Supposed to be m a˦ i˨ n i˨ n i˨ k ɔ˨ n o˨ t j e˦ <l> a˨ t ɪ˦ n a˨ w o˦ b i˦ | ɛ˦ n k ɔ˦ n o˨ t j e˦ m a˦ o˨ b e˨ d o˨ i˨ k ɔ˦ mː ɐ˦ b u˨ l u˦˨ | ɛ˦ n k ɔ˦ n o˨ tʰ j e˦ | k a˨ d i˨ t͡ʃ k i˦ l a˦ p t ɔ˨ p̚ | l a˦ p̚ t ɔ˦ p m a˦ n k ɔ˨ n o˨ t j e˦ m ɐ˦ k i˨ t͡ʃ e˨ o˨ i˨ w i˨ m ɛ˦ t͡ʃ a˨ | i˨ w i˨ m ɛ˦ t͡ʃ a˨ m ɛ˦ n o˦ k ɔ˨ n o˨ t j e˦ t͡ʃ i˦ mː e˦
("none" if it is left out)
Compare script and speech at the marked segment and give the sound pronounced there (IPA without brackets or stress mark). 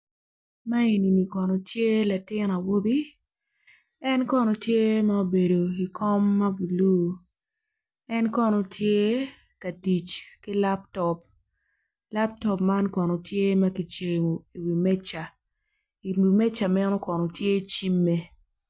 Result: l